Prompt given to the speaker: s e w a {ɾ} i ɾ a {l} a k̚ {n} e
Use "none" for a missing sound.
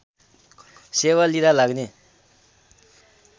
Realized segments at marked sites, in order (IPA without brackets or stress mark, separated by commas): l, l, n